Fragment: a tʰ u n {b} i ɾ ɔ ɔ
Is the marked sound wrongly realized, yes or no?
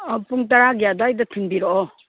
no